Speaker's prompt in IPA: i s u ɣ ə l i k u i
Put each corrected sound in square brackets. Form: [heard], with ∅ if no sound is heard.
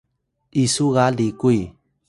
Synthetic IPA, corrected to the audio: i s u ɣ [a] l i k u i